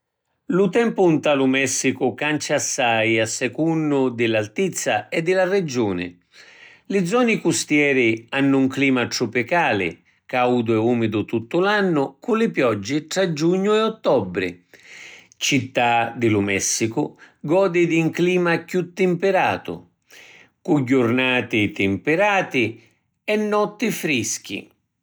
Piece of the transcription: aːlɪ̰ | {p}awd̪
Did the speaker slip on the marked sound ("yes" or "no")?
yes